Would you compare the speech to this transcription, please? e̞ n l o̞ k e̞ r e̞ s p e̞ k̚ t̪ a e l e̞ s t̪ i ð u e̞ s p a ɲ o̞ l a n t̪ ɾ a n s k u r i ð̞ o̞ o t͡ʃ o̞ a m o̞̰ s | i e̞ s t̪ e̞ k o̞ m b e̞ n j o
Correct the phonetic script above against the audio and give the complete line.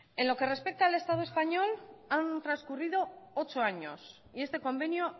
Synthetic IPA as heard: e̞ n l o̞ k e̞ r e̞ s p e̞ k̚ t̪ a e l e̞ s t̪ a ð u e̞ s p a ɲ o̞ l a n t̪ ɾ a n s k u r i ð̞ o̞ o t͡ʃ o̞ a ɲ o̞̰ s | i e̞ s t̪ e̞ k o̞ m b e̞ n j o